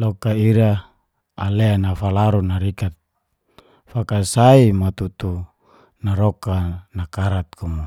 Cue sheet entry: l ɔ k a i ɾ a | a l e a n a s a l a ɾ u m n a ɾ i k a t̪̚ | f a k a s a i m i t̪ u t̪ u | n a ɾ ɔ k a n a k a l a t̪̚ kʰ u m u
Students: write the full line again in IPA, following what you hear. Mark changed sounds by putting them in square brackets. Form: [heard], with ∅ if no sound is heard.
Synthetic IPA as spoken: l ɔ k a i ɾ a | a l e a n a [f] a l a ɾ u [∅] n a ɾ i k a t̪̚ | f a k a s a i m [a] t̪ u t̪ u | n a ɾ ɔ k a n a k a [ɾ] a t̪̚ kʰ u m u